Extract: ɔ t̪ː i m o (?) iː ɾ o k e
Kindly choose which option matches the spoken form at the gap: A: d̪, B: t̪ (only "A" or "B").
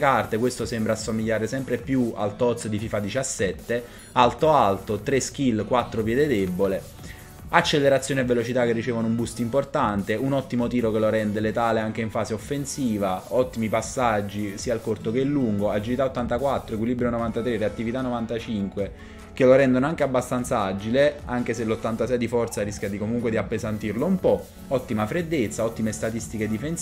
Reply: B